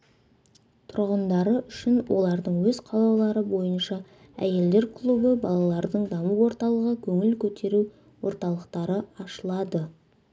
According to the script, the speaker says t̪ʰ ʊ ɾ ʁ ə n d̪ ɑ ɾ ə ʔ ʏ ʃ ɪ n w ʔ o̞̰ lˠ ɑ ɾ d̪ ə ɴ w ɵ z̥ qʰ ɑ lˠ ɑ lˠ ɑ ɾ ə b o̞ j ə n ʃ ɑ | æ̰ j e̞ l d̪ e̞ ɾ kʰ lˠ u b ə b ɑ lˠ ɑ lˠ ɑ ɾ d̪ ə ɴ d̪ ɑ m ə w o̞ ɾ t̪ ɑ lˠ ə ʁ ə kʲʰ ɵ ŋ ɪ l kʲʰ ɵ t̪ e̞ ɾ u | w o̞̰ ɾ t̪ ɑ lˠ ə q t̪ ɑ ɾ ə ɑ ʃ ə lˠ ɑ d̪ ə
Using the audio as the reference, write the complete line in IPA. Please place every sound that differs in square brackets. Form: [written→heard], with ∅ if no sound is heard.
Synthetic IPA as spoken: t̪ʰ ʊ ɾ ʁ ə n d̪ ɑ ɾ ə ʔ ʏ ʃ ɪ n w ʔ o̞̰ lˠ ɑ ɾ d̪ ə ɴ w ɵ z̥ qʰ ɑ lˠ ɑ lˠ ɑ ɾ ə b o̞ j ə n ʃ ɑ | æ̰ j e̞ l d̪ e̞ ɾ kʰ lˠ u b ə b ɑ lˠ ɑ lˠ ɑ ɾ d̪ ə ɴ d̪ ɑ m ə w o̞ ɾ t̪ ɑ lˠ ə ʁ ə kʲʰ ɵ ŋ ɪ l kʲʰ ɵ t̪ e̞ ɾ u | w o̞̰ ɾ t̪ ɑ lˠ ə q t̪ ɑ ɾ ə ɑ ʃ ə lˠ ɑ d̪ ə